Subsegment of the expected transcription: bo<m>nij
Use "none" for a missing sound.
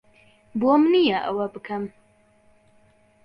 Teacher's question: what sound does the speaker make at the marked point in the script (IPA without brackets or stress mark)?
m